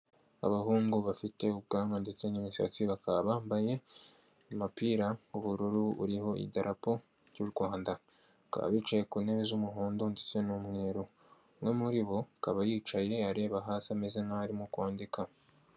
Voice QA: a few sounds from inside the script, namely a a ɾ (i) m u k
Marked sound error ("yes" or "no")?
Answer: no